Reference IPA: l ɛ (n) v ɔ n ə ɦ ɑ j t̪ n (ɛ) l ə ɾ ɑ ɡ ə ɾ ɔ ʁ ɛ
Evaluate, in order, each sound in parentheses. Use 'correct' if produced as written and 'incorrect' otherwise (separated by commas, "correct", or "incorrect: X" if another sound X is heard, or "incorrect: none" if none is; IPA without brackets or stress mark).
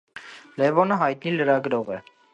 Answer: incorrect: none, incorrect: i